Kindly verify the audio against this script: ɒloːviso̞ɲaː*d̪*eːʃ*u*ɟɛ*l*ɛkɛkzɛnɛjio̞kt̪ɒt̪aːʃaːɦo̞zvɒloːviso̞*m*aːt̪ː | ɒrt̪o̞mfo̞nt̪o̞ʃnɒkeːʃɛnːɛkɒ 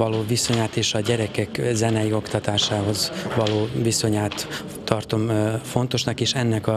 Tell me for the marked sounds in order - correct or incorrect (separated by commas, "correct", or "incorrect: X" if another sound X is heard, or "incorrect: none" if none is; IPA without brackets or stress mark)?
incorrect: t̪, incorrect: ɒ, incorrect: ɾ, incorrect: ɲ